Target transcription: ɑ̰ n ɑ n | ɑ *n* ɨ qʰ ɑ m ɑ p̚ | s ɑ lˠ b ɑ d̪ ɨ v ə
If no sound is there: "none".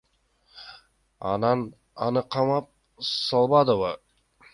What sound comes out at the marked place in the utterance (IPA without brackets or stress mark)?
n